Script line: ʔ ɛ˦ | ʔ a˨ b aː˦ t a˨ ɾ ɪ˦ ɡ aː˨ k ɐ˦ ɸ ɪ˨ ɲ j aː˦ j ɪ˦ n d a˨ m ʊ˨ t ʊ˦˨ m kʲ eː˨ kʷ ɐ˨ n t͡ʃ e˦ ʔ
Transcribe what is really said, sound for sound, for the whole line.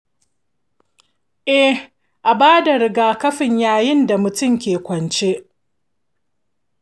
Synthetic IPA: ʔ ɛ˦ | ʔ a˨ b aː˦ d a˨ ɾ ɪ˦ ɡ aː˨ k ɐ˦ ɸ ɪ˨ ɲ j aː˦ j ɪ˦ n d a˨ m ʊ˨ t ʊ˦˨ m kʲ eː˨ kʷ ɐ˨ n t͡ʃ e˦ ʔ